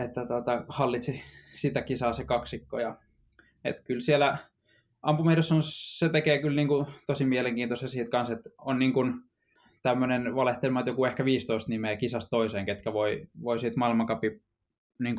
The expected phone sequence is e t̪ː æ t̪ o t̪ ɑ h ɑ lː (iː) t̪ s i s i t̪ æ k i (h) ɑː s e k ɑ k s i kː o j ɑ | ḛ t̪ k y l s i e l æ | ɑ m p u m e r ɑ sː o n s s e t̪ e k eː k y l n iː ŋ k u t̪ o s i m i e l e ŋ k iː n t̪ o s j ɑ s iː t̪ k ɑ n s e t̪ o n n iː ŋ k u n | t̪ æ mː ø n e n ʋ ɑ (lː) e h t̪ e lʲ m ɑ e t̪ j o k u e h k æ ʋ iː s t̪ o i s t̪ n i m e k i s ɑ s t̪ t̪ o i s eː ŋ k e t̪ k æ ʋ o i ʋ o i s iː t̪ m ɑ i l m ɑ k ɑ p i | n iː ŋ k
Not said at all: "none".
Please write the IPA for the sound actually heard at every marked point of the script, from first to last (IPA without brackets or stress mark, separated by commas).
i, s, l